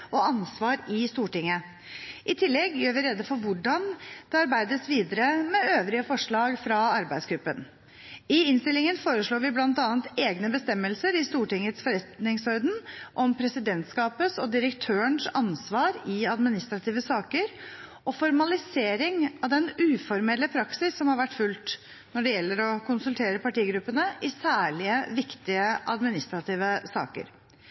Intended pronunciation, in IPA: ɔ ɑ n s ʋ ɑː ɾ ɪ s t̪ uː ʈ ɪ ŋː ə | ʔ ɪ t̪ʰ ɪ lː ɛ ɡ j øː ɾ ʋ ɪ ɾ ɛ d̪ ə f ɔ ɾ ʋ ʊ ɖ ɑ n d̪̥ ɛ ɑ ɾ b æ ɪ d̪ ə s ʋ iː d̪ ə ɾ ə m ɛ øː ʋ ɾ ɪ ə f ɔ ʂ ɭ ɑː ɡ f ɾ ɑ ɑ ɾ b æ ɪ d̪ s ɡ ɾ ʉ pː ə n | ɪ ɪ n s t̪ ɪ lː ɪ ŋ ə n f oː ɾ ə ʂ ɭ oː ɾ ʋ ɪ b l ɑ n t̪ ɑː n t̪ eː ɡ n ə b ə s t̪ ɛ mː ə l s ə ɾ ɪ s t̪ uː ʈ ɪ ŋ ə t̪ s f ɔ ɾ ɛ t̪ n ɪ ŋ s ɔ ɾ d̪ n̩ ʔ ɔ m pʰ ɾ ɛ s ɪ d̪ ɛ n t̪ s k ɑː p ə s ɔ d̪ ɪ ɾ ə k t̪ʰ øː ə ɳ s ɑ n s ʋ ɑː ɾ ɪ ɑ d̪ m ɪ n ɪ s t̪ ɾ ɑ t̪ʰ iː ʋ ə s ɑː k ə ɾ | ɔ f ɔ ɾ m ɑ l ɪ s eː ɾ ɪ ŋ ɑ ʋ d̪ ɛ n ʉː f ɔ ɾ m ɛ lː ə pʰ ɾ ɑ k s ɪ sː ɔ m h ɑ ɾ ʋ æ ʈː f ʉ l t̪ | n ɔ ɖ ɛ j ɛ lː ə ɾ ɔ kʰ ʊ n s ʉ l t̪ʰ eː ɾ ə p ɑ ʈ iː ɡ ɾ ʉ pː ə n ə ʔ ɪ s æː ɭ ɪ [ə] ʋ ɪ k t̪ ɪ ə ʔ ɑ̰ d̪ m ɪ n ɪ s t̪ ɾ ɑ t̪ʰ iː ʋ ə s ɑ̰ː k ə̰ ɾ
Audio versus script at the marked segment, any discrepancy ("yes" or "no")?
no